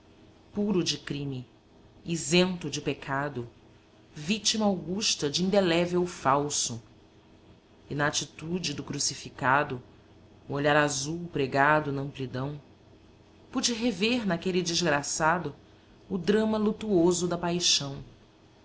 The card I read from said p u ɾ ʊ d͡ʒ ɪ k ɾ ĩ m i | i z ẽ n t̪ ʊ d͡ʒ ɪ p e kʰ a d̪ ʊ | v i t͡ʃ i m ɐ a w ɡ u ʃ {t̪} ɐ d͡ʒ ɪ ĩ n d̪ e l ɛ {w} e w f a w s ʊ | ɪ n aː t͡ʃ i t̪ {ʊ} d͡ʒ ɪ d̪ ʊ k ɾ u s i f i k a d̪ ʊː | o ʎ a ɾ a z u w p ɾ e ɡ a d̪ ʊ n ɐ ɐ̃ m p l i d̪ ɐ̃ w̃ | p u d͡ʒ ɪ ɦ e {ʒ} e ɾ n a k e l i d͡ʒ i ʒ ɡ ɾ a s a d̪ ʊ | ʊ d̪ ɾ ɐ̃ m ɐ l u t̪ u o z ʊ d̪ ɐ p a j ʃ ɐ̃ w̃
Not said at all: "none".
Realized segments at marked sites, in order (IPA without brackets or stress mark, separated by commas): t̪, v, u, v